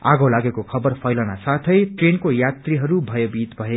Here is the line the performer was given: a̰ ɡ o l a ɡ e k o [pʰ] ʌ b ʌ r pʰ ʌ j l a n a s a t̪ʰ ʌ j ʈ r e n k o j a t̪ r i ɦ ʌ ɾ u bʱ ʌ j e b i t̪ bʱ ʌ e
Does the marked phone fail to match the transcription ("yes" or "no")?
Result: yes